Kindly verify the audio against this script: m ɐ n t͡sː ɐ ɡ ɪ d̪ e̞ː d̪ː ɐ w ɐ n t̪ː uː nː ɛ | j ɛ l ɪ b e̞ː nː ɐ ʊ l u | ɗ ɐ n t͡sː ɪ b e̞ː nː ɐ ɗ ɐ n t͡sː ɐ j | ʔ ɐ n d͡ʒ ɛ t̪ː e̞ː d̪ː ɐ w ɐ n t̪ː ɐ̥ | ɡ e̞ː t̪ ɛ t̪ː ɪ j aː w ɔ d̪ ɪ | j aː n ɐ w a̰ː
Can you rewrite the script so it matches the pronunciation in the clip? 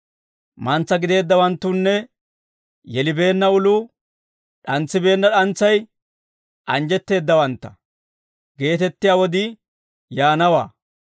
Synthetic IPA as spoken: m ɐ n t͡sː ɐ ɡ ɪ d̪ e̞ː d̪ː ɐ w ɐ n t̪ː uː nː ɛ | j ɛ l ɪ b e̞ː nː ɐ ʊ l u | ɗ ɐ n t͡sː ɪ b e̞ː nː ɐ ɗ ɐ n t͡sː ɐ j | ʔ ɐ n d͡ʒ ɛ t̪ː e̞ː d̪ː ɐ w ɐ n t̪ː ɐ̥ | ɡ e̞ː t̪ ɛ t̪ː ɪ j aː w ɔ d̪ ɪ | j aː n ɐ w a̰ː